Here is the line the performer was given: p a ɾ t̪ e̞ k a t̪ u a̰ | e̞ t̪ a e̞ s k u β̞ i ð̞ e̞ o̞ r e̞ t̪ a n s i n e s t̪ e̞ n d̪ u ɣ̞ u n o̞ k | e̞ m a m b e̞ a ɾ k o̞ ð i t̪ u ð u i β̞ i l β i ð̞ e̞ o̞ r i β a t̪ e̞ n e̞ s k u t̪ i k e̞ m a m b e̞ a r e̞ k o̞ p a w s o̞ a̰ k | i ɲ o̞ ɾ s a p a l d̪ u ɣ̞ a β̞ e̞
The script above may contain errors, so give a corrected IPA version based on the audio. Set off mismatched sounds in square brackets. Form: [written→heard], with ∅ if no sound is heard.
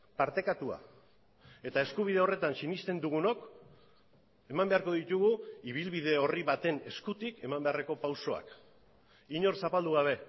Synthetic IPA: p a ɾ t̪ e̞ k a t̪ u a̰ | e̞ t̪ a e̞ s k u β̞ i ð̞ e̞ o̞ r e̞ t̪ a n s i n [e→i] s t̪ e̞ n d̪ u ɣ̞ u n o̞ k | e̞ m a m b e̞ a ɾ k o̞ ð i t̪ u [ð→ɣ] u i β̞ i l β i ð̞ e̞ o̞ r i β a t̪ e̞ n e̞ s k u t̪ i k e̞ m a m b e̞ a r e̞ k o̞ p a w s o̞ a̰ k | i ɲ o̞ ɾ s a p a l d̪ u ɣ̞ a β̞ e̞